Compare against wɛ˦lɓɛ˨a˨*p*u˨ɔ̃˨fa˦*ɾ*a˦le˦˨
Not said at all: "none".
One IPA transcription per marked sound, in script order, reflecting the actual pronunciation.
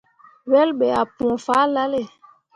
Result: p, l

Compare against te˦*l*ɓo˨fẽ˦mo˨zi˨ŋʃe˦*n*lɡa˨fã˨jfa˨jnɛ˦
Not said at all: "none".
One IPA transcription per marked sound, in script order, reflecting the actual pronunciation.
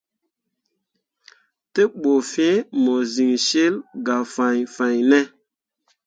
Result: none, none

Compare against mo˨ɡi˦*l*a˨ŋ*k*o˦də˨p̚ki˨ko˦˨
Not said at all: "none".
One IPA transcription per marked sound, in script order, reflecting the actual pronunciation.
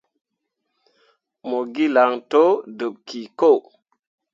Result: l, t

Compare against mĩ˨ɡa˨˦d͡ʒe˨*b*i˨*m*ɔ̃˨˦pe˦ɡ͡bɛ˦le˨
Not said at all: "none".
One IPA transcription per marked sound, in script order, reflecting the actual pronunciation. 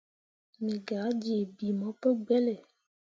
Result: b, m

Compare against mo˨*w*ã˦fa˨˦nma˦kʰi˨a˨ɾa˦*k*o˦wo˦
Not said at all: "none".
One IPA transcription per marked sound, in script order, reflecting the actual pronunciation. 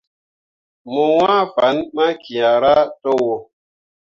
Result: w, t

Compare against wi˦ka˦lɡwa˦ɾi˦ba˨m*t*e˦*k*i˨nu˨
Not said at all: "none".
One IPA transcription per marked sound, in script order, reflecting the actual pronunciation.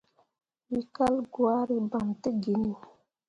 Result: t, ɡ

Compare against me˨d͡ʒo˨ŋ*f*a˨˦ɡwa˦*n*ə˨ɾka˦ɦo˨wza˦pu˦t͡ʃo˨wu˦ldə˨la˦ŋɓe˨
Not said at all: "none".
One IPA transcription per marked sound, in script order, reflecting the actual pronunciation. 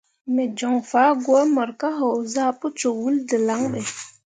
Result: f, m

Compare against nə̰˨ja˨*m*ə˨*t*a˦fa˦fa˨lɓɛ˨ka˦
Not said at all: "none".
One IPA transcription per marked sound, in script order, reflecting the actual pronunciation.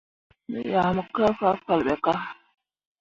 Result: m, k

